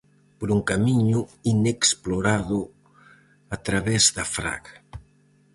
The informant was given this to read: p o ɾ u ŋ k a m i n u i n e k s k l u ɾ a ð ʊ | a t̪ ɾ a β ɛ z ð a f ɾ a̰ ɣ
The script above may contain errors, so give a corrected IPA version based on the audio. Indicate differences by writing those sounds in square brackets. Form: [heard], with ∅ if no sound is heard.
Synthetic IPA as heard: p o ɾ u ŋ k a m i [ɲ] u i n e k s [p] l [o] ɾ a ð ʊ | a t̪ ɾ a β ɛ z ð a f ɾ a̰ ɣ